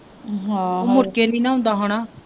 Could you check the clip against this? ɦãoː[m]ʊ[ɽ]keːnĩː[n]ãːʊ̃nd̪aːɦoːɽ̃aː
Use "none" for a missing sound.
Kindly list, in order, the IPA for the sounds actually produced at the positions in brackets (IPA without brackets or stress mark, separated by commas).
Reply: m, ɾ, n